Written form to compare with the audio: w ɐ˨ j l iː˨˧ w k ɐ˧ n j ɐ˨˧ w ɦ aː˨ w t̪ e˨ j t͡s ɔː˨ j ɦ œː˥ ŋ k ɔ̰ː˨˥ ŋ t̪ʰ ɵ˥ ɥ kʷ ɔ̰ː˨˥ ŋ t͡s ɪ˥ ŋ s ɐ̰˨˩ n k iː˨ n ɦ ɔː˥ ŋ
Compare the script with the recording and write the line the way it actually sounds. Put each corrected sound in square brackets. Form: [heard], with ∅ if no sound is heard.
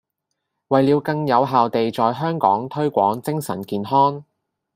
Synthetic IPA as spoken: w ɐ˨ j l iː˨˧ w k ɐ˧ [ŋ] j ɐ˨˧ w ɦ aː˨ w t̪ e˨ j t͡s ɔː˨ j ɦ œː˥ ŋ k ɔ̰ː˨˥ ŋ t̪ʰ ɵ˥ ɥ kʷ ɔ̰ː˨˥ ŋ t͡s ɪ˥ ŋ s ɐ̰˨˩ n k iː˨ n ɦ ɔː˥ ŋ